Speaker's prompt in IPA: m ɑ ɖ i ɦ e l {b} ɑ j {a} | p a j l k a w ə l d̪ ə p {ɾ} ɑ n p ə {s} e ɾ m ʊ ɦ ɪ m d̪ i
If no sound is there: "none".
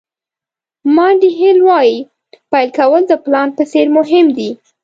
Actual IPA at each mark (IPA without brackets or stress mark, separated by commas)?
w, i, l, s